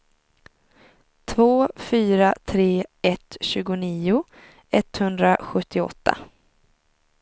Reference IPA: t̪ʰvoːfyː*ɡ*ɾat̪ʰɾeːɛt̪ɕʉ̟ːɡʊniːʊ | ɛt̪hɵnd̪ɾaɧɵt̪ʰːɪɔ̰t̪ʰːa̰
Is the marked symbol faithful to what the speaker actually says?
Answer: no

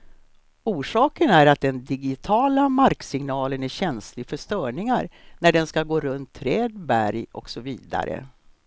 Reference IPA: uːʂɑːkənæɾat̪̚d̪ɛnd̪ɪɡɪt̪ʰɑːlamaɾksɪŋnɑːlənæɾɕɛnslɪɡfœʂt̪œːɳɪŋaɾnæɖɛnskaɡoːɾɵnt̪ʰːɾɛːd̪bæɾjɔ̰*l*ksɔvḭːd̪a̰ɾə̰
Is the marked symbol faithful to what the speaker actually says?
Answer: no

